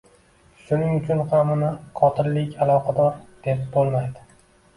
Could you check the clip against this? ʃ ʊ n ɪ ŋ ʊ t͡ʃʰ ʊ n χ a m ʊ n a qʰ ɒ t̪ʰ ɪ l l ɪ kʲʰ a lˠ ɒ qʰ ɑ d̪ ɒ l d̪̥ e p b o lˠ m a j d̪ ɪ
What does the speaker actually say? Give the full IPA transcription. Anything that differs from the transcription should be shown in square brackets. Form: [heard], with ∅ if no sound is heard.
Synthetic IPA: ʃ ʊ n ɪ ŋ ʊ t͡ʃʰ ʊ n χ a m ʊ n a qʰ ɒ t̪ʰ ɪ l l ɪ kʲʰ a lˠ ɒ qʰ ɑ d̪ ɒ [ɾ] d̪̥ e p b o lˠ m a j d̪ ɪ